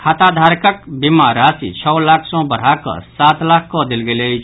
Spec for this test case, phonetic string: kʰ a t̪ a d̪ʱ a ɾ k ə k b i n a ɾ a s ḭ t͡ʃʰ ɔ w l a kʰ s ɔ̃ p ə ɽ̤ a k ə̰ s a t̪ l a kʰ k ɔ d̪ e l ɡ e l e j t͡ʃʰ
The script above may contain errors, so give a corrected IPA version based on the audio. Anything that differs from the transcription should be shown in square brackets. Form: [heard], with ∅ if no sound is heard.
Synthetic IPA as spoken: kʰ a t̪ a d̪ʱ a ɾ k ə k b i [m] a ɾ a s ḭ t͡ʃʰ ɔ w l a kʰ s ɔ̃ [b] ə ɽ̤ a k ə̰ s a t̪ l a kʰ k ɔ d̪ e l ɡ e l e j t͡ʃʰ